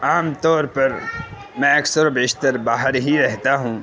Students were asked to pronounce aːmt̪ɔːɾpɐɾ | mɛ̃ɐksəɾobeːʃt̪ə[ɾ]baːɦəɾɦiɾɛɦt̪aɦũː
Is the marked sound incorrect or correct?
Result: correct